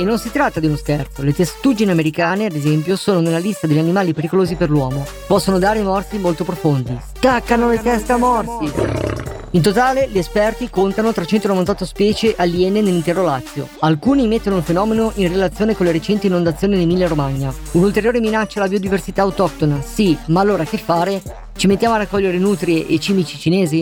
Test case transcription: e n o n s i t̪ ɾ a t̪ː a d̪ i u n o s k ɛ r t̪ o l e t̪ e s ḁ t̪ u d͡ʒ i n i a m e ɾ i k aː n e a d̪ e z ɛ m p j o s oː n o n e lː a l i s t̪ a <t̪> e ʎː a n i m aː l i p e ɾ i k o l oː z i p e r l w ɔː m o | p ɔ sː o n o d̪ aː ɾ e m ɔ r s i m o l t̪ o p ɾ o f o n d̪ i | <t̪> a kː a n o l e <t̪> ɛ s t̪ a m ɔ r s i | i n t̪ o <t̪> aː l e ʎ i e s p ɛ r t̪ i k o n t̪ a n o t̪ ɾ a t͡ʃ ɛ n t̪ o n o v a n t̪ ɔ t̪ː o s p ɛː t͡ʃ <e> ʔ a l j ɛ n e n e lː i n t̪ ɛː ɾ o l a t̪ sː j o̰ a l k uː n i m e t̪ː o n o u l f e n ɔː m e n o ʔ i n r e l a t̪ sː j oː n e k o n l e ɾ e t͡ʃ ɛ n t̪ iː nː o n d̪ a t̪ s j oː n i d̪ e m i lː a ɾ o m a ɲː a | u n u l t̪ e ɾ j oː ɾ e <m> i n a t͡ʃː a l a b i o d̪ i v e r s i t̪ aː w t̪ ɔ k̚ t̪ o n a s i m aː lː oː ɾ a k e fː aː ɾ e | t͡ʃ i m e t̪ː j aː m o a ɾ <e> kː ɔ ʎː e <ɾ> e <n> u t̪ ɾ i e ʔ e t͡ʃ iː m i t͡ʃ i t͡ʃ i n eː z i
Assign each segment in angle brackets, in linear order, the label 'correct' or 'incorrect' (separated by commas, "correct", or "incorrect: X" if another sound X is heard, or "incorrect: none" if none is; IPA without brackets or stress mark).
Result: incorrect: d̪, correct, correct, correct, correct, correct, incorrect: a, correct, correct